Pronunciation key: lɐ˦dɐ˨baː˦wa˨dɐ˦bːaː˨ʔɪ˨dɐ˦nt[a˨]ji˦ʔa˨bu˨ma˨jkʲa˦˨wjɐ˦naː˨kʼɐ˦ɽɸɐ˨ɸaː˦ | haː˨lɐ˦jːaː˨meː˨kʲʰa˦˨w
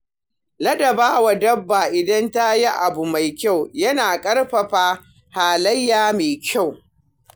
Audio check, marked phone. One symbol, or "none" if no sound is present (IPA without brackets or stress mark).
a˦